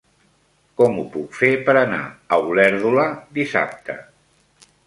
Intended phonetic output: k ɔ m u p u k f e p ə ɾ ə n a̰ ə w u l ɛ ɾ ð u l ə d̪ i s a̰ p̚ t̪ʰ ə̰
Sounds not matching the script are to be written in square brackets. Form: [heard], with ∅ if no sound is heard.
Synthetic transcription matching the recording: k ɔ m u p u k f e p ə ɾ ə n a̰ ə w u l ɛ ɾ ð u l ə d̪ i s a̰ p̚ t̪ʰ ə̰